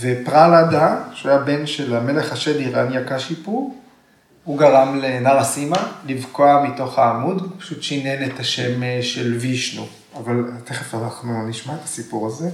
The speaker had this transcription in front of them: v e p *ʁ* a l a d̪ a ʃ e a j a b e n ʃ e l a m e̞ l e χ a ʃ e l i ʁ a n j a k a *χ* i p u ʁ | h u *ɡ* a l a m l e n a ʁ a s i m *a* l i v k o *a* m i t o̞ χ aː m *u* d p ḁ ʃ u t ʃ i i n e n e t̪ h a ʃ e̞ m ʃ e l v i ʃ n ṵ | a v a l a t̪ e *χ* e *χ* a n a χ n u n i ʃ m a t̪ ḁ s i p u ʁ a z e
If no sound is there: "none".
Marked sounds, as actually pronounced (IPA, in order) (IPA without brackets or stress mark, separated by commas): ʁ, ʃ, ɡ, a, a, u, χ, f